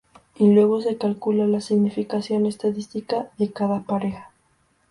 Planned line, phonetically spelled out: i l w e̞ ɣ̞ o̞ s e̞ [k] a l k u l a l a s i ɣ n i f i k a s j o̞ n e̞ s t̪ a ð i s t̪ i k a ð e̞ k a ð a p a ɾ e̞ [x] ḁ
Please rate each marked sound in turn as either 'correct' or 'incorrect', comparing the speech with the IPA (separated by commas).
correct, correct